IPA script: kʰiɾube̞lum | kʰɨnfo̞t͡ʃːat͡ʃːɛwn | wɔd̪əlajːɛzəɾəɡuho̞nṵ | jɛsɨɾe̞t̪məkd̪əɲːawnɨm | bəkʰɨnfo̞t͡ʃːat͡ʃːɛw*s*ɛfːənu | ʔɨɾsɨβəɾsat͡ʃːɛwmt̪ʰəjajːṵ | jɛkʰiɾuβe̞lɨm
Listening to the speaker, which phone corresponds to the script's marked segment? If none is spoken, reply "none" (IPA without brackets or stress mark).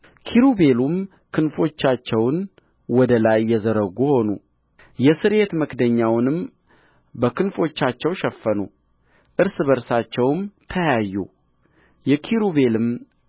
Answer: ʃ